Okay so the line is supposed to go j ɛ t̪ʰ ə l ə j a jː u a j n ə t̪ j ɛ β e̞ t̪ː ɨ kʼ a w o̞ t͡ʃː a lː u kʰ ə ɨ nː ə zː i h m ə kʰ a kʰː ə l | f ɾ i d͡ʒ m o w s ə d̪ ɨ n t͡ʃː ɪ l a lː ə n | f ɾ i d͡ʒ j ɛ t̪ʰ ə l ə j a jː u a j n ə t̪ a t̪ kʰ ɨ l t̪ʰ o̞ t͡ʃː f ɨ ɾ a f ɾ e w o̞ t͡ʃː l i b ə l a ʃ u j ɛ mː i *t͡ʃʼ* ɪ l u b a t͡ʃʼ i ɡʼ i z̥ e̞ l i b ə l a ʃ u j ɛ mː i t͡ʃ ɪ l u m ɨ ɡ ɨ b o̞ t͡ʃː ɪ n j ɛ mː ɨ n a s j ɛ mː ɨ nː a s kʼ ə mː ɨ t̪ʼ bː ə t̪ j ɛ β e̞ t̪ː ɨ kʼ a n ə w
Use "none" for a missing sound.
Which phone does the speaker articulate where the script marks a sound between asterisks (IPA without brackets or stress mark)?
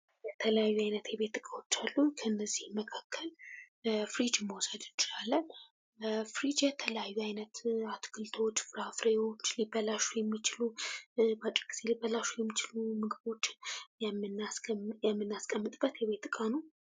t͡ʃ